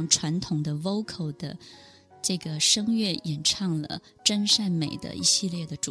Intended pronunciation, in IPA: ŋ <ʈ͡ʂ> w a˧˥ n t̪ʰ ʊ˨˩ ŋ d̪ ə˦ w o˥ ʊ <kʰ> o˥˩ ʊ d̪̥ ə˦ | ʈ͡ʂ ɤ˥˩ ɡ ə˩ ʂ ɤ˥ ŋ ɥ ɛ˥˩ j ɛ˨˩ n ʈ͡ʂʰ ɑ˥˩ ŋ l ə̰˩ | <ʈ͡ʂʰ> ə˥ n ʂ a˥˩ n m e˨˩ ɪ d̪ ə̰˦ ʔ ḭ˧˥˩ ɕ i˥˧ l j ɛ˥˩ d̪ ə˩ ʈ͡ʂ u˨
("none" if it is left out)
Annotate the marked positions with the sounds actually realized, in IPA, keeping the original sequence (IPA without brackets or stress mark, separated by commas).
ʈ͡ʂʰ, kʰ, ʈ͡ʂ